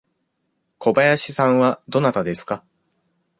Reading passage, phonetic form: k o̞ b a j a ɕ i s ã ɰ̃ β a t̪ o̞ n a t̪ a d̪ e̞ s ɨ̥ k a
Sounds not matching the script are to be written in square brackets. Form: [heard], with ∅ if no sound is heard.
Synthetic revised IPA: k o̞ b a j a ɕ i s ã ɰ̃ β a [d̪] o̞ n a t̪ a d̪ e̞ s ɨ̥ k a